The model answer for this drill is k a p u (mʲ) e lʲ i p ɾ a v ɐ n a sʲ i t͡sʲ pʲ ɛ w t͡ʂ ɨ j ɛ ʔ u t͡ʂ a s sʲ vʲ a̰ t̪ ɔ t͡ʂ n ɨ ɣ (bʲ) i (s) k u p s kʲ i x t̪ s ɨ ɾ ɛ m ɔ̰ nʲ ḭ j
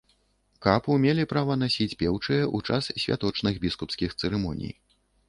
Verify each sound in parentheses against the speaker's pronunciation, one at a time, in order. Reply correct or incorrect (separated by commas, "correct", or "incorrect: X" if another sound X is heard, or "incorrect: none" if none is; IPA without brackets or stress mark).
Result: correct, correct, correct